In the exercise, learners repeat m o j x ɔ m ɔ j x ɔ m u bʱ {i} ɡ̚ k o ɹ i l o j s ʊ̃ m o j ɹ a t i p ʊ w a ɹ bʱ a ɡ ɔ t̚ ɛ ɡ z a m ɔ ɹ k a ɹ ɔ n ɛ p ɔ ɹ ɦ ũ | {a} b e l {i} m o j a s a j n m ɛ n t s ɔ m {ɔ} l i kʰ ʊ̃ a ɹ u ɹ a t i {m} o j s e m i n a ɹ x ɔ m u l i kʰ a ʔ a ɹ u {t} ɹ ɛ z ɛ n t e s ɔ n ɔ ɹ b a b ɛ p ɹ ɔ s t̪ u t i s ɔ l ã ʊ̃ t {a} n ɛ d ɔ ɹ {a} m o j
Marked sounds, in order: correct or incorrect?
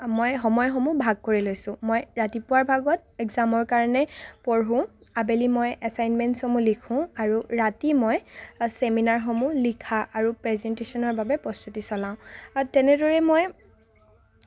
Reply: incorrect: a, correct, correct, incorrect: u, correct, incorrect: p, incorrect: ɛ, incorrect: ɛ

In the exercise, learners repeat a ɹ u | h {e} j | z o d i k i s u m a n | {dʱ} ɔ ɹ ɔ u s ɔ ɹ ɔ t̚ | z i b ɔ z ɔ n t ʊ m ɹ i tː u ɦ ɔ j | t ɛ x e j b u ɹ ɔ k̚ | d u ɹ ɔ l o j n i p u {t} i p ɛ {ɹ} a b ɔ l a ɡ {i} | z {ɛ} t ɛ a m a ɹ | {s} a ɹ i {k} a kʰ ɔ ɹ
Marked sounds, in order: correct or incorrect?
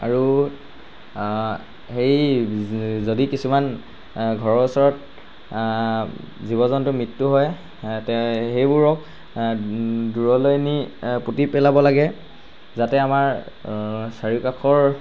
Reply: correct, incorrect: ɡʱ, correct, incorrect: l, incorrect: ɛ, incorrect: a, correct, correct

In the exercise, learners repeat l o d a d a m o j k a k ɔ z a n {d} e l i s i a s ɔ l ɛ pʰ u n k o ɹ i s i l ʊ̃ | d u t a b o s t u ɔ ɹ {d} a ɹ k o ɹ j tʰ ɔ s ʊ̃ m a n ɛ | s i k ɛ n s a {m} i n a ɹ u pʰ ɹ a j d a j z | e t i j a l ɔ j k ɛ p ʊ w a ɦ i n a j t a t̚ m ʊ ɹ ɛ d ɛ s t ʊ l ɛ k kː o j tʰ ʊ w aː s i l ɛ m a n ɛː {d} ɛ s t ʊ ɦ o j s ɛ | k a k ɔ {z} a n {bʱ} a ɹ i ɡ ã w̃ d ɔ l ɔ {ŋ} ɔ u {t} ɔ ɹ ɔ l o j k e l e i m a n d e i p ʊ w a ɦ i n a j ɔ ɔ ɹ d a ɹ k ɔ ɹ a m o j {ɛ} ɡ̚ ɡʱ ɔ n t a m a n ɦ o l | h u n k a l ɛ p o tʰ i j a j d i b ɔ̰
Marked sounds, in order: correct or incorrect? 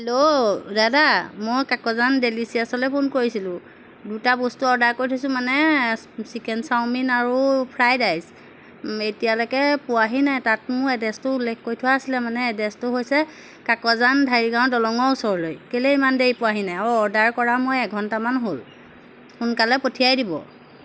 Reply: correct, correct, correct, correct, correct, incorrect: dʱ, correct, incorrect: s, correct

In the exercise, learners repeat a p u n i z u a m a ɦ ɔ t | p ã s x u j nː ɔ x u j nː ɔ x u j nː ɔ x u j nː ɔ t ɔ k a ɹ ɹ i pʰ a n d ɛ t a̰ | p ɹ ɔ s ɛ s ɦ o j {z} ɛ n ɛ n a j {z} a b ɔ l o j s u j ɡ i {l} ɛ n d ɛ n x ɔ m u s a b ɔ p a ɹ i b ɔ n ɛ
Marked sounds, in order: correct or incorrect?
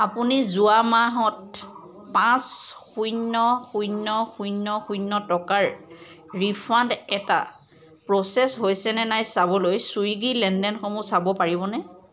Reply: incorrect: s, incorrect: s, correct

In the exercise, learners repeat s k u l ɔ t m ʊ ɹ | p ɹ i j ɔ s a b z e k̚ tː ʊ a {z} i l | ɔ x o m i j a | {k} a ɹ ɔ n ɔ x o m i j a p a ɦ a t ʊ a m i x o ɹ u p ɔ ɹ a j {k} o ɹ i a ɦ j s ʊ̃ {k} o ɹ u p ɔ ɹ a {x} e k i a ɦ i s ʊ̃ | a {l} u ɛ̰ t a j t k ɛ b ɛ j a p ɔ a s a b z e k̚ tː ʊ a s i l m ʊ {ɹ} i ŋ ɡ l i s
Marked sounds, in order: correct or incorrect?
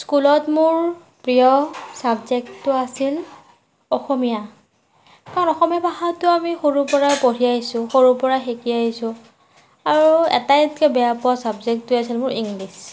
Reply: incorrect: s, correct, incorrect: p, incorrect: x, correct, incorrect: ɹ, correct

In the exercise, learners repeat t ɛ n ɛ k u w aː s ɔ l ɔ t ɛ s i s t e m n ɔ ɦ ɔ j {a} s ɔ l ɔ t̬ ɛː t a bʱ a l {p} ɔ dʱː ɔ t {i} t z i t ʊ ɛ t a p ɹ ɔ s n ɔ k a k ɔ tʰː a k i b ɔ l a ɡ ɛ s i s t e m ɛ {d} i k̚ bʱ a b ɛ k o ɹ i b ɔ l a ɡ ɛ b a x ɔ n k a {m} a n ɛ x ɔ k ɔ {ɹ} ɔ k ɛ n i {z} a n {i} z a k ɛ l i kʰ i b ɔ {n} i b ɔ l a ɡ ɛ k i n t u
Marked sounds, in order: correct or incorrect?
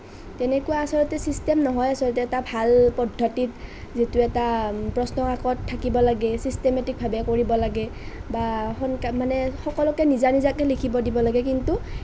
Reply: correct, correct, correct, incorrect: t, correct, incorrect: l, correct, correct, incorrect: d

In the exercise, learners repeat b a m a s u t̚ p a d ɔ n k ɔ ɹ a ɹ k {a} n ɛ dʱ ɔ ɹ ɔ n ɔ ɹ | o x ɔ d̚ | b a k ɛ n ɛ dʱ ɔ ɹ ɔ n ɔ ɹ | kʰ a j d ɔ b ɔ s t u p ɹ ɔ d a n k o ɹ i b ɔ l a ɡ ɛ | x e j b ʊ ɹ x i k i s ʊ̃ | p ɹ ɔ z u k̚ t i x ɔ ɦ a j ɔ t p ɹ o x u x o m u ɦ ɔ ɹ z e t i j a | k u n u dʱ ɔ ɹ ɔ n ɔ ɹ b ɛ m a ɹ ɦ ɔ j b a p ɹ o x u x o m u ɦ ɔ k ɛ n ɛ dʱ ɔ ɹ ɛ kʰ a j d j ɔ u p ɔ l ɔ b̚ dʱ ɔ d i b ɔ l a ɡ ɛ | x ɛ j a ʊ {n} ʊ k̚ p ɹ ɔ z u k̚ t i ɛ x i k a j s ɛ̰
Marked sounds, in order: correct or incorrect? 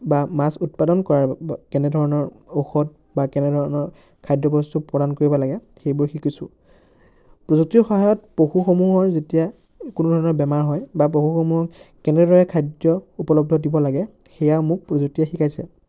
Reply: incorrect: ɛ, incorrect: m

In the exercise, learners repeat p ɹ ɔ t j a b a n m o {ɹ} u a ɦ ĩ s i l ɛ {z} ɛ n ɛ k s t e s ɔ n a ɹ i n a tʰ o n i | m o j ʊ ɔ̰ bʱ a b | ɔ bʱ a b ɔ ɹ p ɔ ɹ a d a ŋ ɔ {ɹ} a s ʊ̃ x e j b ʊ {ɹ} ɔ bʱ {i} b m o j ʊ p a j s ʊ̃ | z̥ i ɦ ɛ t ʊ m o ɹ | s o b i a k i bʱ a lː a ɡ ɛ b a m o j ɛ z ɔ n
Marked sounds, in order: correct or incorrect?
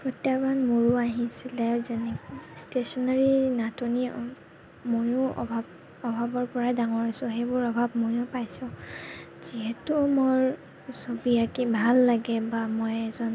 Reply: correct, correct, correct, correct, incorrect: a

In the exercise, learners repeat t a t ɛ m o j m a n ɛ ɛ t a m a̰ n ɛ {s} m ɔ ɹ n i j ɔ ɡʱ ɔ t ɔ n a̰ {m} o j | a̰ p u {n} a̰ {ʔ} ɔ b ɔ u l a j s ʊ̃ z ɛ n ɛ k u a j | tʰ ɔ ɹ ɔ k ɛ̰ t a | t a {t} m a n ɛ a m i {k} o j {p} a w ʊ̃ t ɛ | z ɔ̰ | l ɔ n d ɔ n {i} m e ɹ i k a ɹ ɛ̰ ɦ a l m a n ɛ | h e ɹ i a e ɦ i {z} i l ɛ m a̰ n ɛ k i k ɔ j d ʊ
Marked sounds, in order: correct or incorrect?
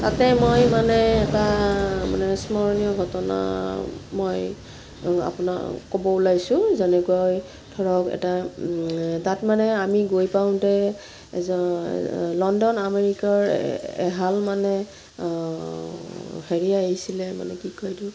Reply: correct, correct, correct, incorrect: k, correct, incorrect: ɡ, correct, incorrect: a, incorrect: s

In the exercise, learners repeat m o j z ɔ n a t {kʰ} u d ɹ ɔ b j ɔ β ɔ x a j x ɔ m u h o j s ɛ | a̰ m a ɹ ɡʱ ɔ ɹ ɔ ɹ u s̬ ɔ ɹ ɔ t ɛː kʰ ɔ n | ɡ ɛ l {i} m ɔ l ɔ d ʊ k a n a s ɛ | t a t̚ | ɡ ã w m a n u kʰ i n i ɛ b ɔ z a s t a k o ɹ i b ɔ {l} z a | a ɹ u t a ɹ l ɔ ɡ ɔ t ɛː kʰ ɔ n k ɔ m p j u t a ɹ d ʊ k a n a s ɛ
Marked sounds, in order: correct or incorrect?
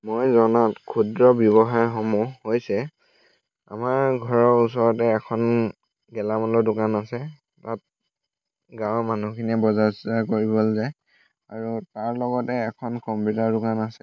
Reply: correct, incorrect: a, correct

